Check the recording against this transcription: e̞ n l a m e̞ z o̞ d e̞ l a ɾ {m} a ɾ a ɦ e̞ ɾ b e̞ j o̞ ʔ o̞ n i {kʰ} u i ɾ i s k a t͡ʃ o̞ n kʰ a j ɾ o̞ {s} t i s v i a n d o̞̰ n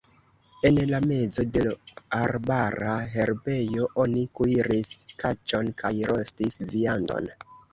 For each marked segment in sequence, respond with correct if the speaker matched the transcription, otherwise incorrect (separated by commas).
incorrect, incorrect, correct